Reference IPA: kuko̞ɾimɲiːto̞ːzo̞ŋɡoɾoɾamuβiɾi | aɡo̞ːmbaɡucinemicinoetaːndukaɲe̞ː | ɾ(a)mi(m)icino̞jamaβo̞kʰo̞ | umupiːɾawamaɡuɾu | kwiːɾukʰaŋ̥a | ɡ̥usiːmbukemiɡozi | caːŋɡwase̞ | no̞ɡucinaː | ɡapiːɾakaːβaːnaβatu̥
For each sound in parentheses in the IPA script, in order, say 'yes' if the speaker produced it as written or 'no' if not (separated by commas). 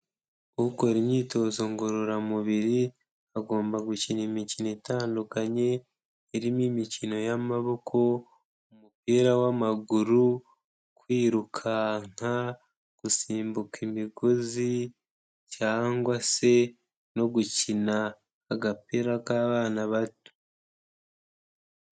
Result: no, yes